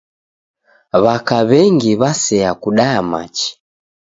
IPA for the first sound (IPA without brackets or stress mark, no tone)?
β